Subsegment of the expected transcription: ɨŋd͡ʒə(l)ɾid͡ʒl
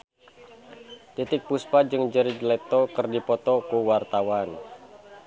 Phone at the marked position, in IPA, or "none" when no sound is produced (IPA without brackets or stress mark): none